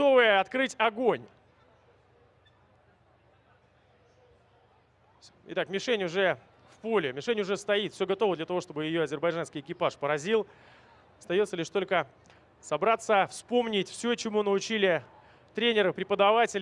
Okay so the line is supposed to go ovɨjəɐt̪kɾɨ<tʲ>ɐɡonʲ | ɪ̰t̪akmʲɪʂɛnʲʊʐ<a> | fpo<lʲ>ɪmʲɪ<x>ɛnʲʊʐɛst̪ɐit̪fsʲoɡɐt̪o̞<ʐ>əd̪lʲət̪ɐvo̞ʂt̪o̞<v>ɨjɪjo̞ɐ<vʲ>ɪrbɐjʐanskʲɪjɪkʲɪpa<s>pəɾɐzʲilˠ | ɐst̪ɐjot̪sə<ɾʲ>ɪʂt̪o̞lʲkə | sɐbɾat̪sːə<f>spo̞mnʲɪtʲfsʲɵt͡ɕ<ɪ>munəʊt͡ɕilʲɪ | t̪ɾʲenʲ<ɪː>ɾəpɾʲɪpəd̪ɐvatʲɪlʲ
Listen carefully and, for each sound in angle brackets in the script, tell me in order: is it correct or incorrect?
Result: correct, incorrect, correct, incorrect, incorrect, incorrect, incorrect, incorrect, incorrect, correct, correct, incorrect

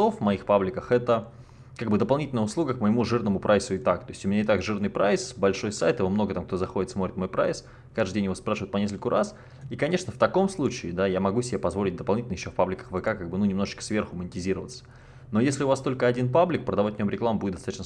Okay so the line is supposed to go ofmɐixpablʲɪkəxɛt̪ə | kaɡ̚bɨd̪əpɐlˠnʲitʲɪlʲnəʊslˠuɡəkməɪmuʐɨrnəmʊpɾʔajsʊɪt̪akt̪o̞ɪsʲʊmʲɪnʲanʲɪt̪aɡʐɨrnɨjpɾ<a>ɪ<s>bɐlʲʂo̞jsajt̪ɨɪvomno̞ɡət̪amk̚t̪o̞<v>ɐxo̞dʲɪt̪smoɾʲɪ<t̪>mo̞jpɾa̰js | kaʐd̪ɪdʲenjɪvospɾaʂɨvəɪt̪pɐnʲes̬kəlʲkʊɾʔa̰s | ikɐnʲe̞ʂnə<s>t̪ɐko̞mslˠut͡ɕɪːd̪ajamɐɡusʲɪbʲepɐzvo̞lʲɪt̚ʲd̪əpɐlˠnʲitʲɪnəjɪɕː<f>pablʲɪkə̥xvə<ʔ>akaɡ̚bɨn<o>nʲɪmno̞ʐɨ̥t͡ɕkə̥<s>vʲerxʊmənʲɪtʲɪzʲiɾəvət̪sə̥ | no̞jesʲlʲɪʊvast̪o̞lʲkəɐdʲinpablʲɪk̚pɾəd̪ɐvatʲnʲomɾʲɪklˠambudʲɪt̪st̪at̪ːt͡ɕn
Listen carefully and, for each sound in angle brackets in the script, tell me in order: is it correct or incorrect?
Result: correct, correct, incorrect, correct, incorrect, correct, incorrect, incorrect, correct

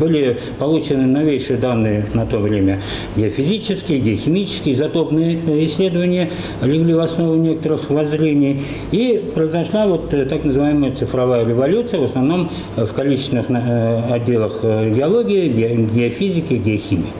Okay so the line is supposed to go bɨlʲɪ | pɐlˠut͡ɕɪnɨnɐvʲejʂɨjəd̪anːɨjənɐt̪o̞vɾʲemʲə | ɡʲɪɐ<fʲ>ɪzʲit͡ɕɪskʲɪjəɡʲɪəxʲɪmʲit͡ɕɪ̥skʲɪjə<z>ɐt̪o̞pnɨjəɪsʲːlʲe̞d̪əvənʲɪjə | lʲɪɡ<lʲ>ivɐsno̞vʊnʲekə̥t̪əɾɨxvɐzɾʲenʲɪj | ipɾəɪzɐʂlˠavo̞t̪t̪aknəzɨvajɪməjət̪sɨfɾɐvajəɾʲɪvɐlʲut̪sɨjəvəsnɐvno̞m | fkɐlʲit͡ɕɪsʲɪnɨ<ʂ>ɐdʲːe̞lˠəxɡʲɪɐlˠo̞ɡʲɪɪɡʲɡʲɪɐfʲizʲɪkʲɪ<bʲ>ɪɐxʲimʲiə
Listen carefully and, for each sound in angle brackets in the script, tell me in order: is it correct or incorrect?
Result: correct, correct, correct, incorrect, incorrect

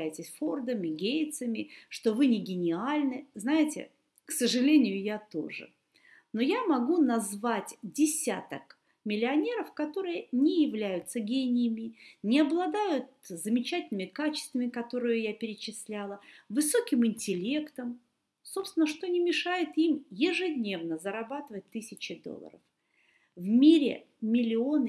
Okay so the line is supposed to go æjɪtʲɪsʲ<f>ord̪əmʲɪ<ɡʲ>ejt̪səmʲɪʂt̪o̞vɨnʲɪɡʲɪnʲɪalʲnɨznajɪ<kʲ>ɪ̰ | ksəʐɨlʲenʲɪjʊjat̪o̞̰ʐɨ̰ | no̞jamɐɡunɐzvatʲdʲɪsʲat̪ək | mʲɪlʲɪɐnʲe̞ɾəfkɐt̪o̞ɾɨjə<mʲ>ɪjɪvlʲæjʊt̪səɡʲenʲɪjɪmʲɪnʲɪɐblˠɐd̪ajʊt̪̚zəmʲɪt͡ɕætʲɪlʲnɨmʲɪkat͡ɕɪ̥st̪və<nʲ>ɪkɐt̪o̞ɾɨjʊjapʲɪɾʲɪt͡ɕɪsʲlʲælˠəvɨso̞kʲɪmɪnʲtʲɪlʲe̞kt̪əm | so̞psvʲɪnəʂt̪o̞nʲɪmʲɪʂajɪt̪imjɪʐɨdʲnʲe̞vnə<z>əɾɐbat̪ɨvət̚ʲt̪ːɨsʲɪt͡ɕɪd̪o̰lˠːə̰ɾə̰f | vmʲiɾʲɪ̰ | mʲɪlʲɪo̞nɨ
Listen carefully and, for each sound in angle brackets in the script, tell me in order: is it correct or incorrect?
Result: correct, correct, incorrect, incorrect, incorrect, correct

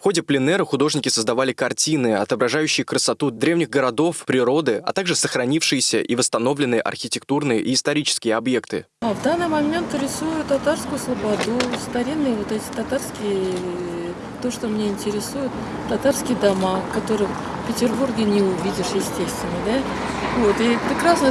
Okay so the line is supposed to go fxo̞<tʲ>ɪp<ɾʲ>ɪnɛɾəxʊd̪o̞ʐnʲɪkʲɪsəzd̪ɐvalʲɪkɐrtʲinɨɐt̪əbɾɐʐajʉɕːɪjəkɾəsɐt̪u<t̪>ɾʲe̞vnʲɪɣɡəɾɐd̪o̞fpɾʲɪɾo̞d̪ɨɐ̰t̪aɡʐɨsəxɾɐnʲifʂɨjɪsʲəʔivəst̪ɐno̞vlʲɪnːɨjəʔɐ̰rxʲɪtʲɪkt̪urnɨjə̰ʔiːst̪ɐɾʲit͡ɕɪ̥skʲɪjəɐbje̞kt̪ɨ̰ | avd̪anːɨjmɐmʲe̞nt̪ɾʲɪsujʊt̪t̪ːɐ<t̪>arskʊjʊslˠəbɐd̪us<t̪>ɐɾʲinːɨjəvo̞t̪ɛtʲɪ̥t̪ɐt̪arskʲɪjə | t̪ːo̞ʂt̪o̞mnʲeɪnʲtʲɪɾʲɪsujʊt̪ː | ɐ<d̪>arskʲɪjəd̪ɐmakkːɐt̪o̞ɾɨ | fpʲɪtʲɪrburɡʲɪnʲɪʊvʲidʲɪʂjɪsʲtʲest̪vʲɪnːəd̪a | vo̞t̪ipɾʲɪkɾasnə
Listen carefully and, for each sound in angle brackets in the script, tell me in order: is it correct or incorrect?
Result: incorrect, incorrect, incorrect, correct, correct, incorrect

